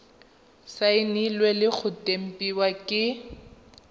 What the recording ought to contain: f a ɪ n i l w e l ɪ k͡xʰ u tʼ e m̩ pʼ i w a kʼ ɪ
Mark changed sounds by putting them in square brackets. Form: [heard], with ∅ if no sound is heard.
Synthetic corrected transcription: [s] a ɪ n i l w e l ɪ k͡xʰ [ʊ] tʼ e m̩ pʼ i w a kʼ ɪ